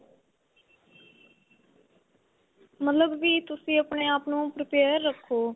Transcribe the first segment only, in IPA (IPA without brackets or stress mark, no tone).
m